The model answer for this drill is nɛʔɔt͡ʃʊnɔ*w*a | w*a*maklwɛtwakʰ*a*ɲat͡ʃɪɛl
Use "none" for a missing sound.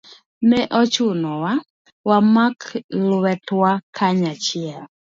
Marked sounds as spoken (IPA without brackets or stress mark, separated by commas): w, a, a